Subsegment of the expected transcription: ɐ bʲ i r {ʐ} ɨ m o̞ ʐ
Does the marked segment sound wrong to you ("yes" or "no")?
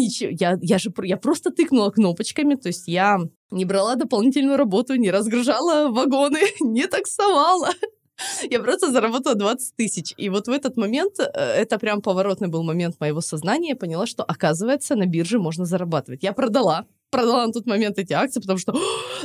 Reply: no